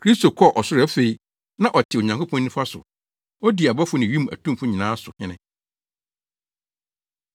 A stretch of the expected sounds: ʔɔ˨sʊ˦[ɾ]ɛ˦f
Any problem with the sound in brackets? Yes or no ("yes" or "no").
no